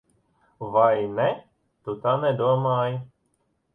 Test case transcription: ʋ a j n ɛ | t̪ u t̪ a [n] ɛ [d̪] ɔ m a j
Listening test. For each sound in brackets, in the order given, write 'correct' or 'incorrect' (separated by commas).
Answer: correct, correct